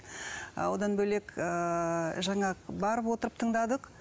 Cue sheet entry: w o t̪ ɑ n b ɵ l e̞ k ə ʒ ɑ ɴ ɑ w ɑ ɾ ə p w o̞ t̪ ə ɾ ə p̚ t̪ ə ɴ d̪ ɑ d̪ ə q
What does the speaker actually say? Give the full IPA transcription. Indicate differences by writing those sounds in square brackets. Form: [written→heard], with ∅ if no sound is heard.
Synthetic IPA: w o [t̪→d̪] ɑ n b ɵ l e̞ k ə ʒ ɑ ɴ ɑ [w→b] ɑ ɾ ə p w o̞ t̪ ə ɾ ə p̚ [t̪→t̪ʰ] ə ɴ d̪ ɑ d̪ ə q